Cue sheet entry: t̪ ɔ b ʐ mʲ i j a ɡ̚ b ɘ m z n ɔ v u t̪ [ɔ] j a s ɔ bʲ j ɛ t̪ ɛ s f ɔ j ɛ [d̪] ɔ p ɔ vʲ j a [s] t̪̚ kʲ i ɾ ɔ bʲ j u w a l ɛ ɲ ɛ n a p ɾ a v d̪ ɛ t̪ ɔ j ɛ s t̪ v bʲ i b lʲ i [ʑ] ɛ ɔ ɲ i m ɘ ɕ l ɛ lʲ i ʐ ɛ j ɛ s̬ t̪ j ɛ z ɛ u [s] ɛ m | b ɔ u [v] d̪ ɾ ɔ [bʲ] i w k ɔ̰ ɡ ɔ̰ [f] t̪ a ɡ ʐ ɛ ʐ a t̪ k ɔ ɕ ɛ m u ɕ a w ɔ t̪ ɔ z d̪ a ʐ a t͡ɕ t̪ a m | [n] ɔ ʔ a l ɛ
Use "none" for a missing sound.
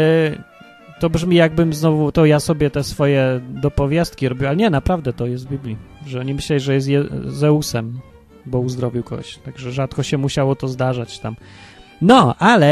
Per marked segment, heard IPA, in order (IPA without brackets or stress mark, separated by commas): ɔ, d̪, s, ʐ, s, z, vʲ, ɕ, n